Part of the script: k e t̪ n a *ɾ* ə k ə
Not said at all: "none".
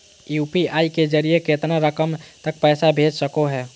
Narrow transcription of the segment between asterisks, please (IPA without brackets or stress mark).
ɾ